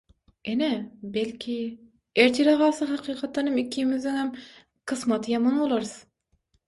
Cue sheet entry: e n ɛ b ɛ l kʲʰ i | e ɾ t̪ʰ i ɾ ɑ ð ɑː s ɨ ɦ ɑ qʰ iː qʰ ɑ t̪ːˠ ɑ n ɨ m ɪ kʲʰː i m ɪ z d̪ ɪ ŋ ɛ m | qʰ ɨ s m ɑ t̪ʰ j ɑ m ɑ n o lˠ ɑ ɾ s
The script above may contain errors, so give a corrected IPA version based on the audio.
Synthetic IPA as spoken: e n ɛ b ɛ l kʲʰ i | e ɾ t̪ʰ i ɾ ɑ ʁ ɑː s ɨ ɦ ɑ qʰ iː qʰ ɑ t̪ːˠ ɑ n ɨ m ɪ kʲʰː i m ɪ z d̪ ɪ ŋ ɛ m | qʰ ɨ s m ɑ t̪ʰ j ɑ m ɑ n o lˠ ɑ ɾ s

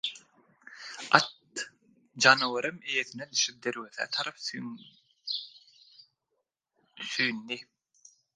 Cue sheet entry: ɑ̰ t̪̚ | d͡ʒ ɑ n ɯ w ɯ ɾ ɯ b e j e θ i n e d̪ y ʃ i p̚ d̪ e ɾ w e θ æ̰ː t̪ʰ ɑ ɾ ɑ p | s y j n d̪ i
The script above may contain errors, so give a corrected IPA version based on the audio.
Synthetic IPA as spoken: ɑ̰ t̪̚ | d͡ʒ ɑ n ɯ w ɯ ɾ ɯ m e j e θ i n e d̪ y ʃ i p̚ d̪ e ɾ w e θ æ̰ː t̪ʰ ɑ ɾ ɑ p | s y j n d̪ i

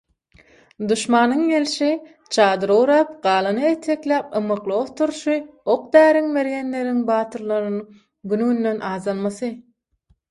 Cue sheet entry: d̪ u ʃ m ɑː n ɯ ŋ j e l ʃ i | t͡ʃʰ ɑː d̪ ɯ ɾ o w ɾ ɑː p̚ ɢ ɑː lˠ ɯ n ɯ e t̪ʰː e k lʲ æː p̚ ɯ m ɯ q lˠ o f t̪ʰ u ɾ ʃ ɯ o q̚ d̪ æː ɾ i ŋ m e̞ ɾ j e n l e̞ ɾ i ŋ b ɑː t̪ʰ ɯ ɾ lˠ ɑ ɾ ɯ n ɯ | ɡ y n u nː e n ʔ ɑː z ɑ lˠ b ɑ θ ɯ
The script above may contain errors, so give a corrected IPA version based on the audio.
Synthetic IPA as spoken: d̪ u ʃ m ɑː n ɯ ŋ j e l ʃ i | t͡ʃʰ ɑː d̪ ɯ ɾ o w ɾ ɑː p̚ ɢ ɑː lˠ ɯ n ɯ e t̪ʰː e k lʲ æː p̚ ɯ m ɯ q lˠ o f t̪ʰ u ɾ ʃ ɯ o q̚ d̪ æː ɾ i ŋ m e̞ ɾ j e n l e̞ ɾ i ŋ b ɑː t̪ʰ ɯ ɾ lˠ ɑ ɾ ɯ n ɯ | ɡ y n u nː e n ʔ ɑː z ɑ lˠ m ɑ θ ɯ

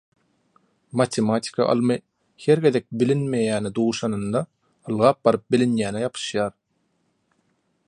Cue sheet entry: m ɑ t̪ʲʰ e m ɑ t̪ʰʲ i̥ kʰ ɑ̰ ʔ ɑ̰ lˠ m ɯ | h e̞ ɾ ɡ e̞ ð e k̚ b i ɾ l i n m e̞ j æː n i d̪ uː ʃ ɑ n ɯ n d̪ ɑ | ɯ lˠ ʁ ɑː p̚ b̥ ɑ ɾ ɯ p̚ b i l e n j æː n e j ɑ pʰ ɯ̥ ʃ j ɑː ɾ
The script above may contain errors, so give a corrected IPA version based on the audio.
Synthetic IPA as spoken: m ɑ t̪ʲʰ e m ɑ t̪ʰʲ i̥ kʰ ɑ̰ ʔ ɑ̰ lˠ m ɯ | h e̞ ɾ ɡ e̞ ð e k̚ b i l i n m e̞ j æː n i d̪ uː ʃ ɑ n ɯ n d̪ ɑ | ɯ lˠ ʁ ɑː p̚ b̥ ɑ ɾ ɯ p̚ b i l i n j æː n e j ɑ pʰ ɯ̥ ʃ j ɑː ɾ

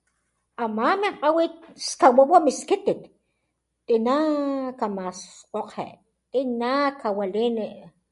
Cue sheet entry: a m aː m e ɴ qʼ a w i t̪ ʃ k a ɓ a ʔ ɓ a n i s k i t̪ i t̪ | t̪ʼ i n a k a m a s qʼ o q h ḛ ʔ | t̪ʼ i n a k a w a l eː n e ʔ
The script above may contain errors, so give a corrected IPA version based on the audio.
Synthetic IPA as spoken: a m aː m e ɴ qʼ a w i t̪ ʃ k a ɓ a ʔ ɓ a m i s k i t̪ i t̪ | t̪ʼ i n a k a m a s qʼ o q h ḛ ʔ | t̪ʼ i n a k a w a l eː n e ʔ

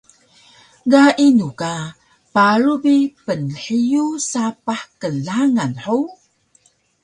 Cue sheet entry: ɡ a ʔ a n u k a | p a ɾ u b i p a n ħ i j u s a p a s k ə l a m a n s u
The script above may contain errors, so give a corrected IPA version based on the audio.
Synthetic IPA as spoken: ɡ a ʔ i n u k a | p a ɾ u b i p ə n ħ i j u s a p a ħ k ə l a ŋ a n ħ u

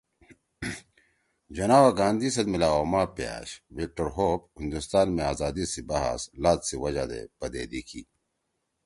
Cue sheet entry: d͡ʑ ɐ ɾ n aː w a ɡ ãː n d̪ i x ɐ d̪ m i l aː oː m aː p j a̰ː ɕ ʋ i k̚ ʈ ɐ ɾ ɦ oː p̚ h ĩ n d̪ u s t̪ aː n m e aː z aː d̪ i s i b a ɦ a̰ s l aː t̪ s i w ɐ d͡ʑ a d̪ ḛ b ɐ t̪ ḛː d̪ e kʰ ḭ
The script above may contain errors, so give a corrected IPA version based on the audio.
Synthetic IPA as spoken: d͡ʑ ɐ n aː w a ɡ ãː n d̪ i s ɐ d̪ m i l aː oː m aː p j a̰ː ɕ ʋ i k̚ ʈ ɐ ɾ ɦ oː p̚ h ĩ n d̪ u s t̪ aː n m e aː z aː d̪ i s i b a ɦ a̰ s l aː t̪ s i w ɐ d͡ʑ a d̪ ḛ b ɐ d̪ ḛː d̪ i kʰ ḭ

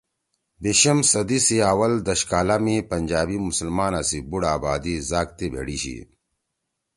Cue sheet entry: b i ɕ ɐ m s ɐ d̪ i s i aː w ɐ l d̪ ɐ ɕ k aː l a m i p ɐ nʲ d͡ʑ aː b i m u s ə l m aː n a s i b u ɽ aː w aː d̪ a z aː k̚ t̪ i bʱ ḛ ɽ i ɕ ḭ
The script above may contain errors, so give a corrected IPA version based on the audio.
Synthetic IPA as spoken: b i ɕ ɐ m s ɐ d̪ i s i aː w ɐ l d̪ ɐ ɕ k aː l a m i p ɐ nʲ d͡ʑ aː b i m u s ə l m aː n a s i b u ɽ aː b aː d̪ i z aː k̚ t̪ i bʱ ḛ ɽ i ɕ ḭ

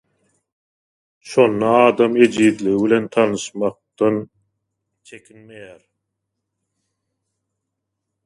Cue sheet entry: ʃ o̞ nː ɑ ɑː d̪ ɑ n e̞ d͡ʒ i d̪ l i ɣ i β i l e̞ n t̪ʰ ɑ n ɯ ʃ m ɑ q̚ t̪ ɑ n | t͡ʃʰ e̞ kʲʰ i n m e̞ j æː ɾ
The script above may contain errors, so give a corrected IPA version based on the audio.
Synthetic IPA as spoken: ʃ o̞ nː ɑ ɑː d̪ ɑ m e̞ d͡ʒ i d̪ l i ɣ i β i l e̞ n t̪ʰ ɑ n ɯ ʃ m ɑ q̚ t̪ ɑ n | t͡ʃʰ e̞ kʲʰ i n m e̞ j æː ɾ

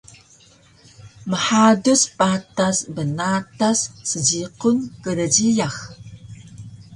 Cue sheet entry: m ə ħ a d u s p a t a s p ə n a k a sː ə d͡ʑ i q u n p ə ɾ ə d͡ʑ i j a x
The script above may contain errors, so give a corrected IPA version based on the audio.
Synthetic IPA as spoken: m ə ħ a d u s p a t a s b ə n a t a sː ə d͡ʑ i q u n k ə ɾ ə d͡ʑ i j a x

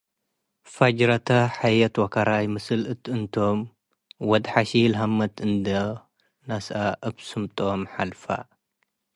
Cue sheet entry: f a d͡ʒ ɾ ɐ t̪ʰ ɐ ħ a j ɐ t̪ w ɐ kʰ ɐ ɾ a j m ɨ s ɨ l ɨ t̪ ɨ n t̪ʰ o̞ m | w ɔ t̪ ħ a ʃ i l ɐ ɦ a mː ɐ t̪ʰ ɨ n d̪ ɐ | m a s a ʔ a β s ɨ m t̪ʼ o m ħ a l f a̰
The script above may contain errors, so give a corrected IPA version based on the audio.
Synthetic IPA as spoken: f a d͡ʒ ɾ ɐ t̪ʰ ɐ ħ a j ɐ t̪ w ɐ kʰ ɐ ɾ a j m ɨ s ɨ l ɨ t̪ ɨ n t̪ʰ o̞ m | w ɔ d̪ ħ a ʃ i l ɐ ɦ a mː ɐ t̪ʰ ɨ n d̪ ɐ | n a s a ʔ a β s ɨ m t̪ʼ o m ħ a l f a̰

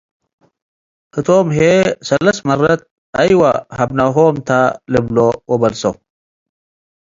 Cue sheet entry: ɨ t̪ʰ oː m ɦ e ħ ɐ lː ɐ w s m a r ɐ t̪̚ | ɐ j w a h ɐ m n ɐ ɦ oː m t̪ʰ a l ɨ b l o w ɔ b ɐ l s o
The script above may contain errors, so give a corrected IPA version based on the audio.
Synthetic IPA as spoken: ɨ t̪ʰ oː m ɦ e s ɐ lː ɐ s m ɐ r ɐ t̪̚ | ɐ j w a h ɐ b n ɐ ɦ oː m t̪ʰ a l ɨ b l o w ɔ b ɐ l s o

